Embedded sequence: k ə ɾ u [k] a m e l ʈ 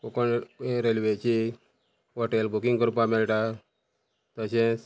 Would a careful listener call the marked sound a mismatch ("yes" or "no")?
yes